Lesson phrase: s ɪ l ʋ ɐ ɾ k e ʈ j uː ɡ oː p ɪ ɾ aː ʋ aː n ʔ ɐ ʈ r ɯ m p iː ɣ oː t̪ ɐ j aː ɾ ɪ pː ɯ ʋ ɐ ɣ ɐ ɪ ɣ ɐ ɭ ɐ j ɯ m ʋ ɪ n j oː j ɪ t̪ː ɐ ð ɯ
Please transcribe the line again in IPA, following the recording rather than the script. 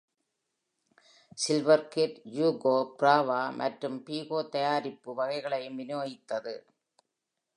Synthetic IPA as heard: s ɪ l ʋ ɐ ɾ k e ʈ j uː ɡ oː p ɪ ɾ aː ʋ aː m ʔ ɐ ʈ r ɯ m p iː ɣ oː t̪ ɐ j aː ɾ ɪ pː ɯ ʋ ɐ ɣ ɐ ɪ ɣ ɐ ɭ ɐ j ɯ m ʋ ɪ n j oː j ɪ t̪ː ɐ ð ɯ